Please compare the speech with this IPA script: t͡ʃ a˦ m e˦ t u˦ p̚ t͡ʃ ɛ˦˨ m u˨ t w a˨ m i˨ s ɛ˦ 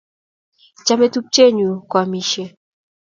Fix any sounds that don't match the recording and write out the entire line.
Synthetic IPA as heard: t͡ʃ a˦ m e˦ t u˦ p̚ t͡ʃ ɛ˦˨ ɲ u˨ k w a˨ m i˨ ʃ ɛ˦